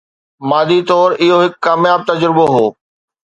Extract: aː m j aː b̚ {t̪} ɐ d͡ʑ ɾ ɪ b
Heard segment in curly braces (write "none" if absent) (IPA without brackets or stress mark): t̪